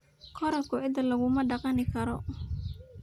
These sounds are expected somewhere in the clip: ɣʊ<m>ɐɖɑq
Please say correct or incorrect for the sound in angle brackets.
correct